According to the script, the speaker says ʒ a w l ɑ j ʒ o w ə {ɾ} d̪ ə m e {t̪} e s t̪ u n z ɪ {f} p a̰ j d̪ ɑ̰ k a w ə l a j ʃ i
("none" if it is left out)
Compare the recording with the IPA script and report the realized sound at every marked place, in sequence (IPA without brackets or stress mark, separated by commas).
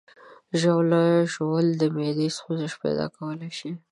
l, d̪, ʃ